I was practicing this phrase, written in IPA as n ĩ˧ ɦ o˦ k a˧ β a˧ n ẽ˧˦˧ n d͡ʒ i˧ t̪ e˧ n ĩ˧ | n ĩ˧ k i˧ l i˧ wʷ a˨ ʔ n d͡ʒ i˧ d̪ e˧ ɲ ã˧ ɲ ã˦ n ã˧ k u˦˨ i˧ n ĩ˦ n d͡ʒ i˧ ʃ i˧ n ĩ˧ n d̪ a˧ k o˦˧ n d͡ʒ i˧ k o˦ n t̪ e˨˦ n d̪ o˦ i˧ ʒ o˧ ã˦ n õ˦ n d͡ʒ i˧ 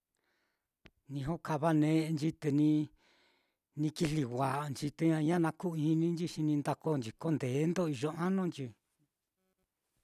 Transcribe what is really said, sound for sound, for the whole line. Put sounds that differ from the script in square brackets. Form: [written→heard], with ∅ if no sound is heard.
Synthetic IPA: n ĩ˧ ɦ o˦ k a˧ β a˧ n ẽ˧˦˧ n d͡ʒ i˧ t̪ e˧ n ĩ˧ | n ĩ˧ k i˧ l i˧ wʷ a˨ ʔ n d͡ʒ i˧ [d̪→t̪] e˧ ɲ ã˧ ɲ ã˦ n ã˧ k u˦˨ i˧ n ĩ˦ n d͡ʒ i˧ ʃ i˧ n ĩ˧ n d̪ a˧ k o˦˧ n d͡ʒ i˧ k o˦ n [t̪→d̪] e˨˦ n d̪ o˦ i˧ ʒ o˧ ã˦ n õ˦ n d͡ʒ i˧